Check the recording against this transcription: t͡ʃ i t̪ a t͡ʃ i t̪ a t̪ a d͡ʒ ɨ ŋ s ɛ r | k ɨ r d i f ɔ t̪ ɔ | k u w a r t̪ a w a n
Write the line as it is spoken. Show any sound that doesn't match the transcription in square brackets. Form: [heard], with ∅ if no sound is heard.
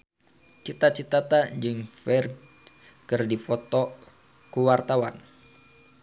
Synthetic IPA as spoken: t͡ʃ i t̪ a t͡ʃ i t̪ a t̪ a d͡ʒ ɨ ŋ [f] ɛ r | k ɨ r d i f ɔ t̪ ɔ | k u w a r t̪ a w a n